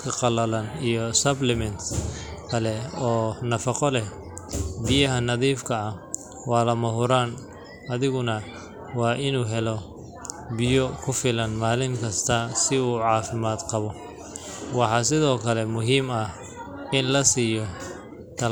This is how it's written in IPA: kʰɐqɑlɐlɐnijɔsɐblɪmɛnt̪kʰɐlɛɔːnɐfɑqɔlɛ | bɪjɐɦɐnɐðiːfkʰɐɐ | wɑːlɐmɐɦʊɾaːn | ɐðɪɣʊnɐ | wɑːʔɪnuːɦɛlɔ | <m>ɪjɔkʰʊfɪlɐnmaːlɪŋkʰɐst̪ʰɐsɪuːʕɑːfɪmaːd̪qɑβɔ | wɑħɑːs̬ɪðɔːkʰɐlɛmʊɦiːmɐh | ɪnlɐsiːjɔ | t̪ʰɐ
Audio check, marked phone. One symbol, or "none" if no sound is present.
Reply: b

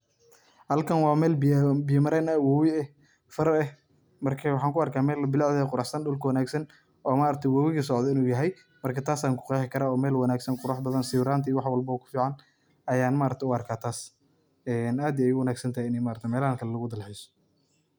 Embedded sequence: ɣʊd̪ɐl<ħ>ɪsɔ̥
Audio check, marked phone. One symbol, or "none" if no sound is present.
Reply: ħ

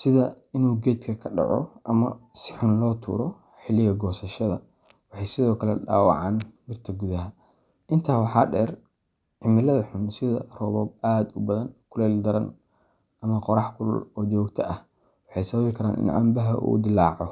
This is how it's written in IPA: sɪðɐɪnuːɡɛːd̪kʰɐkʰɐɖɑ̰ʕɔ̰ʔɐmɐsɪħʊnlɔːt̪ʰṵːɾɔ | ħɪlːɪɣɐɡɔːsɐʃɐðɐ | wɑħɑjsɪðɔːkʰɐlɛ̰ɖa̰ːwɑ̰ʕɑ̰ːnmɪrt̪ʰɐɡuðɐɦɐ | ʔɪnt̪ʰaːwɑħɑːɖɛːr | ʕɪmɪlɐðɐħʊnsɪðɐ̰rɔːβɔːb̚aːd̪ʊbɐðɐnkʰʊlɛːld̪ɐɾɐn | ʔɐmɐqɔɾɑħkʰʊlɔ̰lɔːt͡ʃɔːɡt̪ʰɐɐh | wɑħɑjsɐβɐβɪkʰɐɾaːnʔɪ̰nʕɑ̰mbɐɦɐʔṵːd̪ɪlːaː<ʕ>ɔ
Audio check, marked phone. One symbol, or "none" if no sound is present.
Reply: ʕ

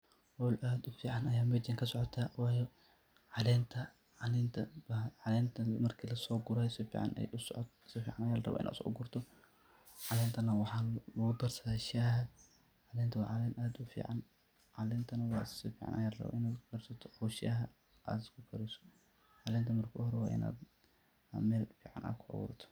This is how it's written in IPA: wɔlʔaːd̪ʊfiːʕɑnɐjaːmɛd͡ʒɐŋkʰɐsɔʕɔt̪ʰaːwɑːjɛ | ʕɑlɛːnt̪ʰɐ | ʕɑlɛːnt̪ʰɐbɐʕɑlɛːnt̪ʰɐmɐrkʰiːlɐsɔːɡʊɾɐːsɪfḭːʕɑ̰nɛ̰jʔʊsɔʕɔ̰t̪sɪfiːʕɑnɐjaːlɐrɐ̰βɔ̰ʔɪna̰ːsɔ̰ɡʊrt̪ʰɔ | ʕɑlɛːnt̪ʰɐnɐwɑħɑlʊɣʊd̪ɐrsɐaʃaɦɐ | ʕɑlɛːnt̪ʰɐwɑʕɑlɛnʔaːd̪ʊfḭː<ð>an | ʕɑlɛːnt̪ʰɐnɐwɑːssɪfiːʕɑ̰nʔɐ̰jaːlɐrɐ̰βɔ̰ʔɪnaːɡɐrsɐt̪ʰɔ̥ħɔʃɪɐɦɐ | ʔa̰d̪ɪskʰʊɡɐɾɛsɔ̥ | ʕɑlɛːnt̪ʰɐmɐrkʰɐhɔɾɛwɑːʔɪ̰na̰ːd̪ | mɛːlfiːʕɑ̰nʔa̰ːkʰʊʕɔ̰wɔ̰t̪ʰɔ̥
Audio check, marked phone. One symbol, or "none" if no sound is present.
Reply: ʕ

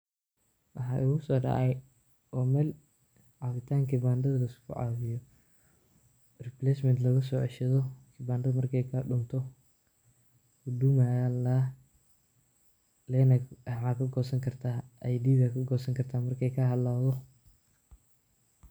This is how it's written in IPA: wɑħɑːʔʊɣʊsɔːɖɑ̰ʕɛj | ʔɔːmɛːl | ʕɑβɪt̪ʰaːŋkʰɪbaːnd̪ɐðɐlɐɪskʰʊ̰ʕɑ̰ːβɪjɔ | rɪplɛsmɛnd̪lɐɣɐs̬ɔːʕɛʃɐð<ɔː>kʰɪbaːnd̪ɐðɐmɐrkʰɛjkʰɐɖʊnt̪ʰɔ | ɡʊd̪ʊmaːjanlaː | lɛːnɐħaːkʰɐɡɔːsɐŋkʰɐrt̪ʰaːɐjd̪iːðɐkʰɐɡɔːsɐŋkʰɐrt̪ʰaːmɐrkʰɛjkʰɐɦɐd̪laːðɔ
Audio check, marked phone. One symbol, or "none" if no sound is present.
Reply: ɔ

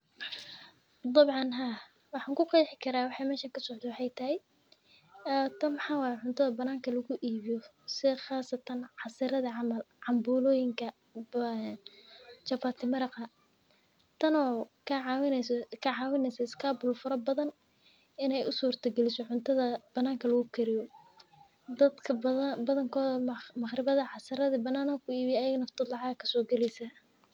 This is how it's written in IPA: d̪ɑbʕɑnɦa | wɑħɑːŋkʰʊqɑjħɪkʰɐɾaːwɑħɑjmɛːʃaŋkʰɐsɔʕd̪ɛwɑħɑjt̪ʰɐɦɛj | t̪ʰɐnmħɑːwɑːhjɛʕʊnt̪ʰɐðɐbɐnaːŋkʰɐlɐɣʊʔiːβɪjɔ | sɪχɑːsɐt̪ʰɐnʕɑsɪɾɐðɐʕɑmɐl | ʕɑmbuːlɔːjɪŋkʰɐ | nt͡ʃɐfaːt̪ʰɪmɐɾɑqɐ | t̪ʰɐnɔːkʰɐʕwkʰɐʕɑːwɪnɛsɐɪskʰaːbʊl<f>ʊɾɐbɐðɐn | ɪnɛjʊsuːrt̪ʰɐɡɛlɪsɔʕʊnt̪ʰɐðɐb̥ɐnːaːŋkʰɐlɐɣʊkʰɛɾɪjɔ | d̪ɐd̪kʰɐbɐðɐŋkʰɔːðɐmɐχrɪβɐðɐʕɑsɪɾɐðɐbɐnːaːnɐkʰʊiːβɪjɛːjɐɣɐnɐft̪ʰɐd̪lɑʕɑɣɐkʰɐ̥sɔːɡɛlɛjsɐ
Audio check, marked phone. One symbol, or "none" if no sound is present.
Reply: f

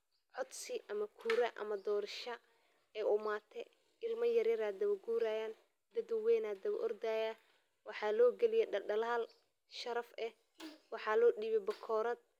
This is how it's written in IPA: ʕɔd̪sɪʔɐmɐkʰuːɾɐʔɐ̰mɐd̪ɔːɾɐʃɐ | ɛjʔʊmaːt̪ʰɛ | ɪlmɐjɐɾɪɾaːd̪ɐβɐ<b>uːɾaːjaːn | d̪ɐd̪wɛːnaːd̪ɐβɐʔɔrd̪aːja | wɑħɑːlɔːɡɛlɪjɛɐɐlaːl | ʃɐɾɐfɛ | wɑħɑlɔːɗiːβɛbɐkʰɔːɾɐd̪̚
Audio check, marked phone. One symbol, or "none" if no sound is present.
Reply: ɡ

